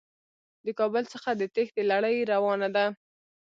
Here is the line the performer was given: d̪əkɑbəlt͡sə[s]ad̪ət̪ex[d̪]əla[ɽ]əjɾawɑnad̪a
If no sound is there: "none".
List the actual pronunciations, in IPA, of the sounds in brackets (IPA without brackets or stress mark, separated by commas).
x, d̪, ɽ